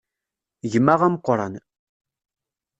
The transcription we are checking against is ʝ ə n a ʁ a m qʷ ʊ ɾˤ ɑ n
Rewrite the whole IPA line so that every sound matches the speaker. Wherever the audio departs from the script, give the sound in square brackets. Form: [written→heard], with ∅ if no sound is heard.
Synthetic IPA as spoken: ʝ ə [n→m] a ʁ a m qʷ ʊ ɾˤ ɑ n